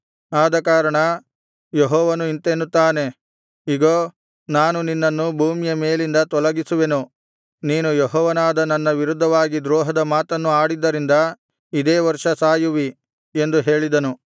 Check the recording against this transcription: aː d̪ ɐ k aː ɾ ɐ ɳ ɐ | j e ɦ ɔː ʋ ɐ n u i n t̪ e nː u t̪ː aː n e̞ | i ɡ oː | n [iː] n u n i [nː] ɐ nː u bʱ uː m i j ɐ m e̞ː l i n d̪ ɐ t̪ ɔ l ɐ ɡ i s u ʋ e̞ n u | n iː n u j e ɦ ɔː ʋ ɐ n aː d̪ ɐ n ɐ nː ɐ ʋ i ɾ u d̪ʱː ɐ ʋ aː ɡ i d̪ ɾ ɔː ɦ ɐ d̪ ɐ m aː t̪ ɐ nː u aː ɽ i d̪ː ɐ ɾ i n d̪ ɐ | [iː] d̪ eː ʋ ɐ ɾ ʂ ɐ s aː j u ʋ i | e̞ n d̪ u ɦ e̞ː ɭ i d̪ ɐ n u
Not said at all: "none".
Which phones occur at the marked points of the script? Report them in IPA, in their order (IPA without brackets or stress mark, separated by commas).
aː, nː, i